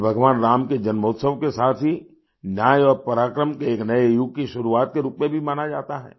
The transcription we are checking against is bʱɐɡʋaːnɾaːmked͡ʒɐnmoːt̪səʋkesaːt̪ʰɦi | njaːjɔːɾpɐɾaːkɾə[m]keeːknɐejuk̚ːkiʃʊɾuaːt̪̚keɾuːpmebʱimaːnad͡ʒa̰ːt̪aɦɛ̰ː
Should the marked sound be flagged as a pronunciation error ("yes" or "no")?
no